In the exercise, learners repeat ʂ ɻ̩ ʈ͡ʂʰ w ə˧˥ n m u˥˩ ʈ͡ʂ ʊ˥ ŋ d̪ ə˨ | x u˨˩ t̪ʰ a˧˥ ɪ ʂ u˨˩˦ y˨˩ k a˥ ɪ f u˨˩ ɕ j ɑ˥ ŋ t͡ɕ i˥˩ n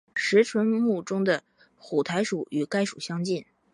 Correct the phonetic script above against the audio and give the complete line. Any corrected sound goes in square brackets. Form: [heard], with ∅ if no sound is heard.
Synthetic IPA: ʂ ɻ̩ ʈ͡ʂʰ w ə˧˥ n m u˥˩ ʈ͡ʂ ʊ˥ ŋ d̪ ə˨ | x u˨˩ t̪ʰ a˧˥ ɪ ʂ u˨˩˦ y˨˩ k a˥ ɪ [ʂ] u˨˩ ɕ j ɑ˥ ŋ t͡ɕ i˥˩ n